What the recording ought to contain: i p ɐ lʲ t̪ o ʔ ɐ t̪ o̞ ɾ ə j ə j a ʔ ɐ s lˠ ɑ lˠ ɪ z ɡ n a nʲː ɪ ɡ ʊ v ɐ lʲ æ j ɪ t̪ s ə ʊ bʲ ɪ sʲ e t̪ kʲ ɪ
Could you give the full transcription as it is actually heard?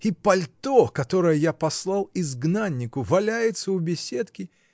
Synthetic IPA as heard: i p ɐ lʲ t̪ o k ɐ t̪ o̞ ɾ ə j ə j a p ɐ s lˠ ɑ lˠ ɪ z ɡ n a nʲː ɪ k ʊ v ɐ lʲ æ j ɪ t̪ s ə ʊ bʲ ɪ sʲ e t̪ kʲ ɪ